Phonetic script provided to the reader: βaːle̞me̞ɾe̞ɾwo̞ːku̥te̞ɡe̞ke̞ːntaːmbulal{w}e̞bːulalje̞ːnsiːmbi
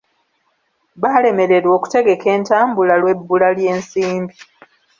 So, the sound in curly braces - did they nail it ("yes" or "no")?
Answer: yes